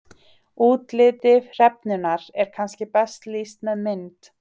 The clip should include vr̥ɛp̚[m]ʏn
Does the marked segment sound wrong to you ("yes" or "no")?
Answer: yes